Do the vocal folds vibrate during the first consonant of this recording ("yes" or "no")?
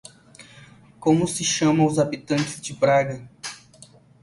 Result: no